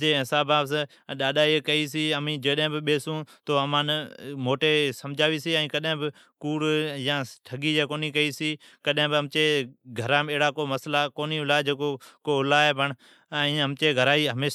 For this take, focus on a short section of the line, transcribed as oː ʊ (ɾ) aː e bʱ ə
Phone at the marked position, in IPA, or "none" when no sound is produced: l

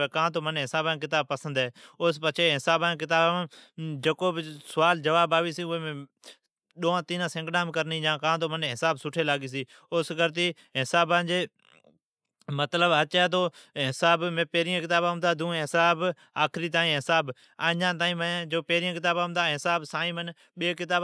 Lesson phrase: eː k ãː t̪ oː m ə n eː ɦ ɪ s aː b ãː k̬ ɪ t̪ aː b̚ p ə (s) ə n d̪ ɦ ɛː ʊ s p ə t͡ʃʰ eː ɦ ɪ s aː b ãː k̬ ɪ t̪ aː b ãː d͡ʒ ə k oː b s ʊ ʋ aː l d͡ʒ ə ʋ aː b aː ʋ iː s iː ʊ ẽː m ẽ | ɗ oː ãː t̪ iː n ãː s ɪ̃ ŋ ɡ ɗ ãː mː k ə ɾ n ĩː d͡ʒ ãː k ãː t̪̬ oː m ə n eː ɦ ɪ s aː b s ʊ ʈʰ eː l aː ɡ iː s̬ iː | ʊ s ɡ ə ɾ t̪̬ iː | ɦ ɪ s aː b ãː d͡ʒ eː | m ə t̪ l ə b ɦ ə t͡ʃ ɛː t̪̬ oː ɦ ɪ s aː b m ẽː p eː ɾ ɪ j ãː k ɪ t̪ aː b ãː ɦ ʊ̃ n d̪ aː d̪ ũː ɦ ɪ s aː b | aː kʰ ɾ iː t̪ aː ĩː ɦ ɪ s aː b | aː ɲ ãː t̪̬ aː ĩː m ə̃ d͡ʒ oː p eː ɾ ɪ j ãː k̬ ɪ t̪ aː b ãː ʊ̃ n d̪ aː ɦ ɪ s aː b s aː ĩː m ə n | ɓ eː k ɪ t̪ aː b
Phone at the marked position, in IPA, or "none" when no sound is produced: s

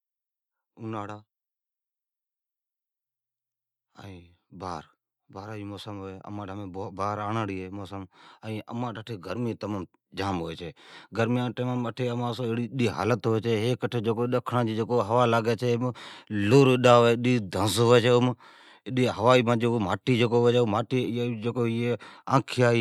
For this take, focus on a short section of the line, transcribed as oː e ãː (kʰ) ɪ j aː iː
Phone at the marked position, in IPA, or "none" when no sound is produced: kʰ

